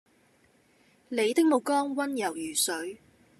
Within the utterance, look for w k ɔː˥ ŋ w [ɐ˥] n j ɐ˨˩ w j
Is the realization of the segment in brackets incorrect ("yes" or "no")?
no